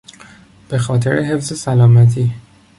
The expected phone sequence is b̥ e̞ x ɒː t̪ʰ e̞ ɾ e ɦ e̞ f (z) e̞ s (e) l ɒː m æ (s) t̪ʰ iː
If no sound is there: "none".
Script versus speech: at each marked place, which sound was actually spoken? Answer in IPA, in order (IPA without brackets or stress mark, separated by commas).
z, æ, none